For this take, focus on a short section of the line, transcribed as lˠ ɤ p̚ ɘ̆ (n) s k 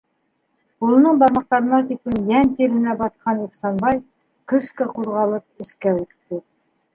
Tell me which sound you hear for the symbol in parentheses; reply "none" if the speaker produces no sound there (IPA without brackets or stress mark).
none